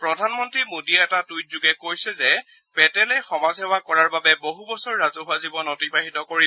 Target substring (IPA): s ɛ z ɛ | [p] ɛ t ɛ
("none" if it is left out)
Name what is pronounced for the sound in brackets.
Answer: p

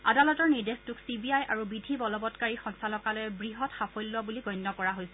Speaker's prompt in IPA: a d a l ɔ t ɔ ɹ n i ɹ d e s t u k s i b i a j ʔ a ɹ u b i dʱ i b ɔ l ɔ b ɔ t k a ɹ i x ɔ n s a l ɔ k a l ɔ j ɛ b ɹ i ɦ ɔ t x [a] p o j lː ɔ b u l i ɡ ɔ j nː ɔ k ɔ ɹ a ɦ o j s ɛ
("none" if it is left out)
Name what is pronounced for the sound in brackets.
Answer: a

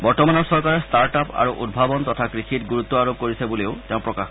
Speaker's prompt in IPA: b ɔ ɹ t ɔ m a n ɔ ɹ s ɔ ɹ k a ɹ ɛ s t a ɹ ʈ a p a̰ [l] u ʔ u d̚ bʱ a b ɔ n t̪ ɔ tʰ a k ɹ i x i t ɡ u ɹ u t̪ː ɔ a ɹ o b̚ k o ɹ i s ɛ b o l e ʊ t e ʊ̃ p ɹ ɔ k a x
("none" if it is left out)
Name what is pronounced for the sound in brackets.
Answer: ɹ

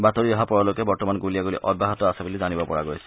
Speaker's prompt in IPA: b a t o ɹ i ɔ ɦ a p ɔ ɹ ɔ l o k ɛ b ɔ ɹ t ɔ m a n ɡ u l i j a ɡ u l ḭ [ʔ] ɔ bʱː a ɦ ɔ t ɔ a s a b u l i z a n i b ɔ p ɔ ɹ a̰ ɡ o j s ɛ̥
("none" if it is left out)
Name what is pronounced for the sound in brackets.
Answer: ʔ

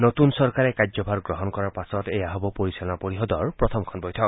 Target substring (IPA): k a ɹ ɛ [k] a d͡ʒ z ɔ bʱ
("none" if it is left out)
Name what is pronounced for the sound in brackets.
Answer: k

